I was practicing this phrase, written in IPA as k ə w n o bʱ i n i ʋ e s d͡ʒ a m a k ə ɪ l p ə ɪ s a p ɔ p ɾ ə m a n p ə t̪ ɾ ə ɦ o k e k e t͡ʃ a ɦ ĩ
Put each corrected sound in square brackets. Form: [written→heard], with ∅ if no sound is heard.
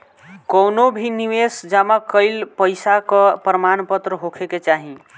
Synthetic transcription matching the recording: k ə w n o bʱ i n i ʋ e s d͡ʒ a m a k ə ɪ l p ə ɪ s a [p→k] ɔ p ɾ ə m a n p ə t̪ ɾ ə ɦ o [k→kʰ] e k e t͡ʃ a ɦ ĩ